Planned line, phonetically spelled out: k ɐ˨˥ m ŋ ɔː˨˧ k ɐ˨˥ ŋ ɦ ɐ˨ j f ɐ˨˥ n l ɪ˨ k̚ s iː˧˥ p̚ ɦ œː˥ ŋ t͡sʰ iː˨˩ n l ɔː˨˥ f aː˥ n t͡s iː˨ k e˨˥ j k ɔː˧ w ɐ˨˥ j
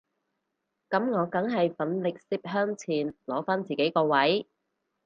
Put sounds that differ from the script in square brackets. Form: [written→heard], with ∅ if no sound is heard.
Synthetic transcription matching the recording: k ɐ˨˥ m ŋ ɔː˨˧ k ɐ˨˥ ŋ ɦ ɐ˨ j f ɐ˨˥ n l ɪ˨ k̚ s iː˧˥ p̚ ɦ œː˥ ŋ t͡sʰ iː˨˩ n l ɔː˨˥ f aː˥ n t͡s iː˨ k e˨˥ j k ɔː˧ w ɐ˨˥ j